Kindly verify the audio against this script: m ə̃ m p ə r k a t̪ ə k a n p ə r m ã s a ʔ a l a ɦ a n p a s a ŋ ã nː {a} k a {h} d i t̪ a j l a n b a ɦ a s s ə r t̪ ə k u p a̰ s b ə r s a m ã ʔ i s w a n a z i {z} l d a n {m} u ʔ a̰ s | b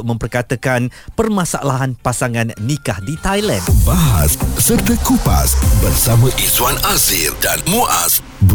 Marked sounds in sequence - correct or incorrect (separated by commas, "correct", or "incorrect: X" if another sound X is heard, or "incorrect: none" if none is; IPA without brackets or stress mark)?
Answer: incorrect: i, correct, incorrect: none, correct